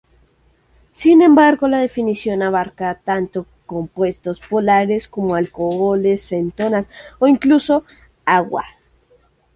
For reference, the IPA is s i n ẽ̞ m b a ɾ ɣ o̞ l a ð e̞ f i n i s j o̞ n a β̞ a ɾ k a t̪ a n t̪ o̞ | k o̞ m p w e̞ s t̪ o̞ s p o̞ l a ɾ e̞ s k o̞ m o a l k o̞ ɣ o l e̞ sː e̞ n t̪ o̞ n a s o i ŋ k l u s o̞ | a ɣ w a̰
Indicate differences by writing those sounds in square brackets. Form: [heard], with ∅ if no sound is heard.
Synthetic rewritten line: s i n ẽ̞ m b a ɾ ɣ o̞ l a ð e̞ f i n i s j o̞ n a β̞ a ɾ k a t̪ a n t̪ o̞ | k o̞ m p w e̞ s t̪ o̞ s p o̞ l a ɾ e̞ s k o̞ m o a l k o̞ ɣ o l e̞ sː e̞ n t̪ o̞ n a s o i ŋ k l u s o̞ | a ɣ w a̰

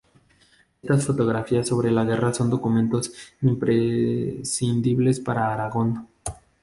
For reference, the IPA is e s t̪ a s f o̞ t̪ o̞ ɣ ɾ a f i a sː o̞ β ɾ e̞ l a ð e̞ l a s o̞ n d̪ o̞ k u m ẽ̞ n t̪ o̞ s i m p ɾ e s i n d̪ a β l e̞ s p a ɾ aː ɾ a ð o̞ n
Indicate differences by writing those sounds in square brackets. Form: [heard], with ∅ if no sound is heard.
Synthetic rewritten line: e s t̪ a s f o̞ t̪ o̞ ɣ ɾ a f i a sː o̞ β ɾ e̞ l a [ɣ] e̞ [r] a s o̞ n d̪ o̞ k u m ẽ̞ n t̪ o̞ s i m p ɾ e s i n d̪ [i] β l e̞ s p a ɾ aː ɾ a [ɣ] o̞ n

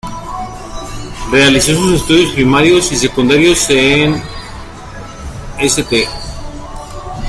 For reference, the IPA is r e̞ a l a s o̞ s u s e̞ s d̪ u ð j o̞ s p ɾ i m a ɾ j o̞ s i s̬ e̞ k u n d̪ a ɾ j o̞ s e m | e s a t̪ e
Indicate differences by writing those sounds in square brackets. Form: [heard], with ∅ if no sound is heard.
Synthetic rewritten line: r e̞ a l [i] s o̞ s u s e̞ s [t̪] u ð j o̞ s p ɾ i m a ɾ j o̞ s i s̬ e̞ k u n d̪ a ɾ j o̞ s e [n] | e s [e] t̪ e

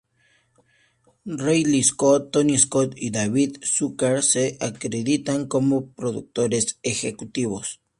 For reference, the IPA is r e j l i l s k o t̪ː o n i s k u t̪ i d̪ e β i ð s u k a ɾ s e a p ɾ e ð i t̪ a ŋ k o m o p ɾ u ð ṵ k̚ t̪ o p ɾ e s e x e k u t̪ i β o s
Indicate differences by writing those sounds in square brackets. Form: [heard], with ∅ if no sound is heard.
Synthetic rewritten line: r e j l i [∅] s k o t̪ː o n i s k [o] t̪ i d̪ [a] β i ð s u k a ɾ s e a [k] ɾ e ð i t̪ a ŋ k o m o p ɾ [o] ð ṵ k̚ t̪ o [∅] ɾ e s e x e k u t̪ i β o s

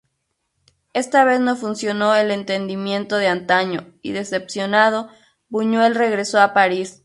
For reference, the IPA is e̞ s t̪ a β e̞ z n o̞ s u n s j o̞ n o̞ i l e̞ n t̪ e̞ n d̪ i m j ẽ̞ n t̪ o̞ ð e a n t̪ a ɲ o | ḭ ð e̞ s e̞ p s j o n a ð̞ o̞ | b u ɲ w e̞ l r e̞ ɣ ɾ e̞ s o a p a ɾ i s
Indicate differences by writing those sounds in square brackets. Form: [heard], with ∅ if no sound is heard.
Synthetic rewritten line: e̞ s t̪ a β e̞ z n o̞ [f] u n s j o̞ n o̞ [e] l e̞ n t̪ e̞ n d̪ i m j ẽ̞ n t̪ o̞ ð e a n t̪ a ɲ o | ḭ ð e̞ s e̞ p s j o n a ð̞ o̞ | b u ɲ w e̞ l r e̞ ɣ ɾ e̞ s o a p a ɾ i s

